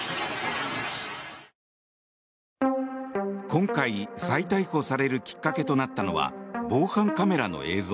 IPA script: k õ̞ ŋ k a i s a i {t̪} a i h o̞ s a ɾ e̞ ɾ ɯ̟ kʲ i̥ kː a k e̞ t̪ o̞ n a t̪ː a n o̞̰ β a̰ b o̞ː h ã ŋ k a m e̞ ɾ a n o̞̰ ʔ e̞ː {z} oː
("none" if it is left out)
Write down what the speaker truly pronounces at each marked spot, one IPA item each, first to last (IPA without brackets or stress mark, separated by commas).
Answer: t̪, z